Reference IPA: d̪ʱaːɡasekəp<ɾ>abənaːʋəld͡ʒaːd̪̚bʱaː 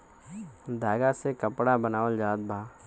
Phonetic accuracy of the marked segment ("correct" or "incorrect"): incorrect